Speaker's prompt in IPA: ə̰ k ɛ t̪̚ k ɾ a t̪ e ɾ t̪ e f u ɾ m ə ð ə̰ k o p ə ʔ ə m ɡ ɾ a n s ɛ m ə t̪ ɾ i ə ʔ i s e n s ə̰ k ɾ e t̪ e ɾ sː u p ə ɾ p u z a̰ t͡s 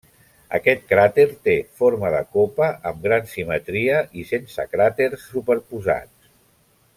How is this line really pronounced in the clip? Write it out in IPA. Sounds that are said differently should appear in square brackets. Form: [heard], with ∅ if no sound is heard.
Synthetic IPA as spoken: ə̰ k ɛ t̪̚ k ɾ a t̪ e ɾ t̪ e f [o] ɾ m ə ð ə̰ k o p ə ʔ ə m ɡ ɾ a n s [i] m ə t̪ ɾ i ə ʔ i s e n s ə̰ k ɾ [a] t̪ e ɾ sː u p ə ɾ p u z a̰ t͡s

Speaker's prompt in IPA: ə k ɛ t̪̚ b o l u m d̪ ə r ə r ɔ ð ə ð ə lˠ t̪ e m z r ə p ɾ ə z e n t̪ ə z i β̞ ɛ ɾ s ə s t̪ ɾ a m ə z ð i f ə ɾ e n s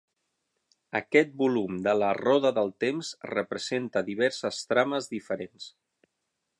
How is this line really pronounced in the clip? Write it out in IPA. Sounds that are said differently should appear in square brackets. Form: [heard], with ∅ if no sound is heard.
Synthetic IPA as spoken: ə k ɛ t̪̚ b [u] l u m d̪ ə [l] ə r ɔ ð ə ð ə lˠ t̪ e m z r ə p ɾ ə z e n t̪ ə [ð] i β̞ ɛ ɾ s ə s t̪ ɾ a m ə z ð i f ə ɾ e n s

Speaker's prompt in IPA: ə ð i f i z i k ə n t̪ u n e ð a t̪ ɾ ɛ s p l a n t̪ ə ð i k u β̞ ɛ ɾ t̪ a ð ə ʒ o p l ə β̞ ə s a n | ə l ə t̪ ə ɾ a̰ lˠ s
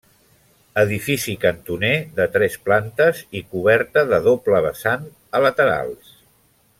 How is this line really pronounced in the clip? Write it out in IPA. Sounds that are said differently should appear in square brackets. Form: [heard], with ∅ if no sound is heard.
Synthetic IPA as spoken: ə ð i f i [s] i k ə n t̪ u n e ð [ə] t̪ ɾ ɛ s p l a n t̪ ə [z] i k u β̞ ɛ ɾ t̪ [ə] ð ə [ð] o p l ə β̞ ə s a n | ə l ə t̪ ə ɾ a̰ lˠ s

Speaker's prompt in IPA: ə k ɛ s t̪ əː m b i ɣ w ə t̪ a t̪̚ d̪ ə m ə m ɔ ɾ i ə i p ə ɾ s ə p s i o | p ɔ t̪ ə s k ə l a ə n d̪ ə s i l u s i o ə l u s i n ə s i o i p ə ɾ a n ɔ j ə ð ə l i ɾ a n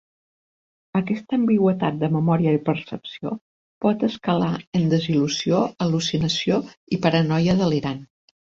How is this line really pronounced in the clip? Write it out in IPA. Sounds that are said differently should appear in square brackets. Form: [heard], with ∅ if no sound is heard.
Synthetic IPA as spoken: ə k ɛ s t̪ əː m b i ɣ w ə t̪ a t̪̚ d̪ ə m ə m ɔ ɾ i ə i p ə ɾ s ə p s i o | p ɔ t̪ ə s k ə l a ə n d̪ ə [z] i l u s i o ə l u s i n ə s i o i p ə ɾ [ə] n ɔ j ə ð ə l i ɾ a n

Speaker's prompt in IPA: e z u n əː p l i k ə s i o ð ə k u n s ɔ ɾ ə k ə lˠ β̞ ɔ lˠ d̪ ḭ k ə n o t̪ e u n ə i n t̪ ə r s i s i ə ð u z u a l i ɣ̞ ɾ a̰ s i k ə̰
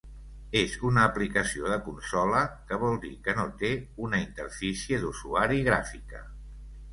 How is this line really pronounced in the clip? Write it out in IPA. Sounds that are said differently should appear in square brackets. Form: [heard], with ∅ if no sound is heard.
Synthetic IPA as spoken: e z u n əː p l i k ə s i o ð ə k u n s ɔ [l] ə k ə [∅] β̞ ɔ lˠ d̪ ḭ k ə n o t̪ e u n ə i n t̪ ə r [f] i s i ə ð u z u a [ɾ] i ɣ̞ ɾ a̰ [f] i k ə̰

